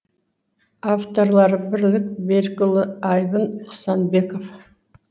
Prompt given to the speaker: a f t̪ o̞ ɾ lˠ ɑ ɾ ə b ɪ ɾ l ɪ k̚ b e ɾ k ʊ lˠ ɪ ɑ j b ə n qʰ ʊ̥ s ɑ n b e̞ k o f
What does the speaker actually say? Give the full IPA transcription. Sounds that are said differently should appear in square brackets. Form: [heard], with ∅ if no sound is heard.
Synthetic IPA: a f t̪ o̞ ɾ lˠ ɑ ɾ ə b ɪ ɾ l ɪ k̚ b e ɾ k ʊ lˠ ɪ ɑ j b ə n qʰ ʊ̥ s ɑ n b e̞ k o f